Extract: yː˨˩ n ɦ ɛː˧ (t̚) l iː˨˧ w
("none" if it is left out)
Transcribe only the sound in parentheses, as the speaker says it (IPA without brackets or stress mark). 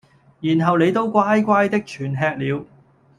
k̚